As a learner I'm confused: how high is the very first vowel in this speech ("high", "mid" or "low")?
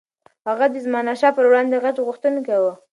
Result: low